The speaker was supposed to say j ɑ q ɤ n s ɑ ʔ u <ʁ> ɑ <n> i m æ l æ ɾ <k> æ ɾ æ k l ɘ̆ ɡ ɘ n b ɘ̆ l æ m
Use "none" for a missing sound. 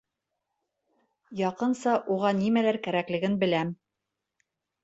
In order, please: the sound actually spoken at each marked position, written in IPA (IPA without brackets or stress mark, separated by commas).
ʁ, n, k